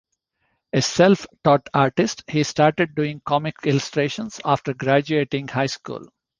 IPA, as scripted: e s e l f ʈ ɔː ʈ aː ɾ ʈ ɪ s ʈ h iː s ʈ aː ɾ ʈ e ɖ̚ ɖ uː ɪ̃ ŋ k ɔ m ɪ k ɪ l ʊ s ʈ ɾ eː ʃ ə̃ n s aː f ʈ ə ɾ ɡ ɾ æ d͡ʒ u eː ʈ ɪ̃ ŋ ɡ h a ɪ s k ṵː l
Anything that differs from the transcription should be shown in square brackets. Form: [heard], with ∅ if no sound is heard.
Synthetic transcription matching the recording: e s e l f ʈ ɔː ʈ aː ɾ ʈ ɪ s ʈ h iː s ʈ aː ɾ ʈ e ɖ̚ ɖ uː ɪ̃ ŋ k ɔ m ɪ k ɪ l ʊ s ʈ ɾ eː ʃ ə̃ n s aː f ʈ ə ɾ ɡ ɾ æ d͡ʒ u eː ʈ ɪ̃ ŋ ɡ h a ɪ s k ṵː l